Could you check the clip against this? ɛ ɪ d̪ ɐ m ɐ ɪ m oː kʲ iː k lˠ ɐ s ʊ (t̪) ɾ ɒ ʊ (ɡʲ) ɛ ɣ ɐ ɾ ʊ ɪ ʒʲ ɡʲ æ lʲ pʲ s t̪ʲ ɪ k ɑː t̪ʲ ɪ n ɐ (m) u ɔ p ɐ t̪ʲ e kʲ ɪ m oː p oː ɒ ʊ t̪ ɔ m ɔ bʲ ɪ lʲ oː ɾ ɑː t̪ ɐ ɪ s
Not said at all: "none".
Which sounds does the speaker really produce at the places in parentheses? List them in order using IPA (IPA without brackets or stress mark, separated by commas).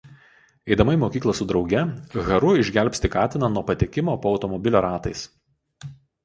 d̪, ɡʲ, n